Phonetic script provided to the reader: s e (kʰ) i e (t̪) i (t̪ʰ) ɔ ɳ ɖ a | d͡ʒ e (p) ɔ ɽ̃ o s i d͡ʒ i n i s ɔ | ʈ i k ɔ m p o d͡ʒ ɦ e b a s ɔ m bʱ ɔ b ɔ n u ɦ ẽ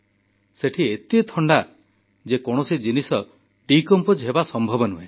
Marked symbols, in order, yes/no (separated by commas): no, yes, yes, no